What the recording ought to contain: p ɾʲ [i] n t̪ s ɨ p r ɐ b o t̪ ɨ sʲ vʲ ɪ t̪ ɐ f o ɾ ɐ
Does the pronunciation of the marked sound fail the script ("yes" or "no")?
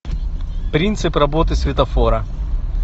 no